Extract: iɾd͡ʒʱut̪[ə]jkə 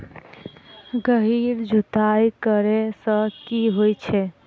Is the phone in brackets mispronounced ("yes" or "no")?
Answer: yes